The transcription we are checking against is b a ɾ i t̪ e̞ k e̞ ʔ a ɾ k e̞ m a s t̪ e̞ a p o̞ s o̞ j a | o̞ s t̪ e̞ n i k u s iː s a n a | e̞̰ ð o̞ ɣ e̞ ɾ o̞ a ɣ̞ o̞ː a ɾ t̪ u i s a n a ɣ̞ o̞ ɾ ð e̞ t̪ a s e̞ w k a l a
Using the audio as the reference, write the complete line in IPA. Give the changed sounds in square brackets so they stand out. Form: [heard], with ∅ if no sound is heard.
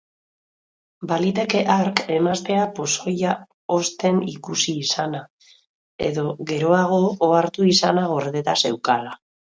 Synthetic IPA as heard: b a [l] i t̪ e̞ k e̞ ʔ a ɾ k e̞ m a s t̪ e̞ a p o̞ s o̞ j a | o̞ s t̪ e̞ n i k u s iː s a n a | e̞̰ ð o̞ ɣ e̞ ɾ o̞ a ɣ̞ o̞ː a ɾ t̪ u i s a n a ɣ̞ o̞ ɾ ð e̞ t̪ a s e̞ w k a l a